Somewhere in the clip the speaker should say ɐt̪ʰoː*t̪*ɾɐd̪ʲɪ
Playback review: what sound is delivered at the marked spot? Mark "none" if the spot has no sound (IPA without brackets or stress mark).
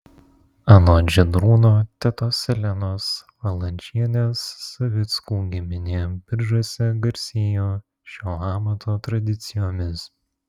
t̪